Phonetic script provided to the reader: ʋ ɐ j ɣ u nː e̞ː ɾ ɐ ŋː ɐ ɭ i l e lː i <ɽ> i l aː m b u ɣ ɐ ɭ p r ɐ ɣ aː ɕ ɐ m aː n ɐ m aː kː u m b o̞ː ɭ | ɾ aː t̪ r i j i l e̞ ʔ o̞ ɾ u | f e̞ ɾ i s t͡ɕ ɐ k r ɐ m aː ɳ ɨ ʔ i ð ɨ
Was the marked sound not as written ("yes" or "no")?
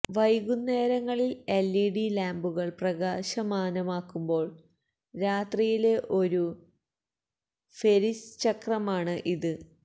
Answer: no